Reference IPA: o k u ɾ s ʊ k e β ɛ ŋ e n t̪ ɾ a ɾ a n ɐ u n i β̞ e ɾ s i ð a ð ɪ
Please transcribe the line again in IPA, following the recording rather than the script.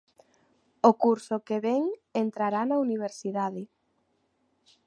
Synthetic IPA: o k u ɾ s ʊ k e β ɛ ŋ e n t̪ ɾ a ɾ a n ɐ u n i β̞ e ɾ s i ð a ð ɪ